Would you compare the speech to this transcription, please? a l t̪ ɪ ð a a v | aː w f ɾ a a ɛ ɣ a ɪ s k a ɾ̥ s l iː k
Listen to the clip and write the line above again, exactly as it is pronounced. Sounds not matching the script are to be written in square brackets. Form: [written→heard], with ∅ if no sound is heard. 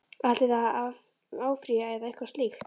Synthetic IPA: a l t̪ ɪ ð a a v | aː w f ɾ [a→i] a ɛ [ɣ→ð] a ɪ [s→h] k a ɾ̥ s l iː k